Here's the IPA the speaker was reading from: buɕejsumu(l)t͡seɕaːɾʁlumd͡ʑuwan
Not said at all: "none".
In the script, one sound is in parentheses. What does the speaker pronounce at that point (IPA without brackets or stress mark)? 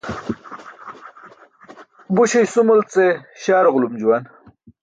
l